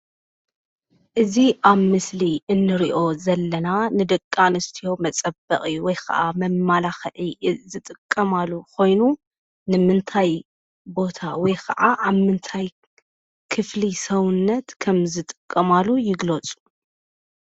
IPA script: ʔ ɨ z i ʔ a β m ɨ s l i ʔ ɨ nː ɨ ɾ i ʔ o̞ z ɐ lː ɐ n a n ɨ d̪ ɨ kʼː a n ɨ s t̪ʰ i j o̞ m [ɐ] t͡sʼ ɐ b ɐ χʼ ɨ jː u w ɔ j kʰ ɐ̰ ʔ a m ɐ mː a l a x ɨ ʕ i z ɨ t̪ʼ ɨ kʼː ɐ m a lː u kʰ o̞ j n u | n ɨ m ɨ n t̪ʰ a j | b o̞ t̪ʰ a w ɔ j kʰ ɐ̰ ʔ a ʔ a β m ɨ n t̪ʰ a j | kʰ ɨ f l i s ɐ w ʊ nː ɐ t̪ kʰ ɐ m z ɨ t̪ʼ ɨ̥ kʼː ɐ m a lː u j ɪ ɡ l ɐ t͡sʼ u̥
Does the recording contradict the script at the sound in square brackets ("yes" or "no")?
no